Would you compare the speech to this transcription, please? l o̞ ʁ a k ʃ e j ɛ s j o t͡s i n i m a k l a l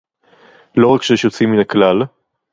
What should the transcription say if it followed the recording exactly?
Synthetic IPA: l o̞ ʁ a k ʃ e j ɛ ʃ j o t͡s i m i n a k l a l